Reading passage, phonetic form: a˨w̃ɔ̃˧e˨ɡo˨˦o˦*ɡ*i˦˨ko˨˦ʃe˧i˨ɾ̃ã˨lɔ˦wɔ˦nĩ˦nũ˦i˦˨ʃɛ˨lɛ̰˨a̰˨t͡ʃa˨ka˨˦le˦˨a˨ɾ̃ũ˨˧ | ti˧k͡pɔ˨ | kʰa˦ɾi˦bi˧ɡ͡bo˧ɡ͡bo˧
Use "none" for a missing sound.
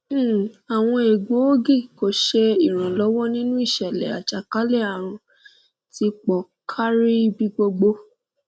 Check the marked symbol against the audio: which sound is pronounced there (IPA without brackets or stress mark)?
ɡ